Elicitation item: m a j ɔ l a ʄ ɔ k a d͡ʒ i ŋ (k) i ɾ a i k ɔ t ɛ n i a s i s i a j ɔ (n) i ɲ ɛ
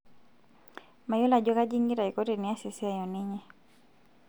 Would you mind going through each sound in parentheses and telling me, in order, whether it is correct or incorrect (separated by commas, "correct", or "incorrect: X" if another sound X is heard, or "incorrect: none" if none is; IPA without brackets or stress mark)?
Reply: incorrect: ɡ, correct